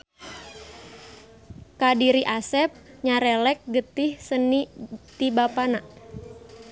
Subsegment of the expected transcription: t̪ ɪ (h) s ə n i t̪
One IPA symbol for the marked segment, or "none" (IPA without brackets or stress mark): h